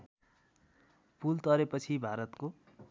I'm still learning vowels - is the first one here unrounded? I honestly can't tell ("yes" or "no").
no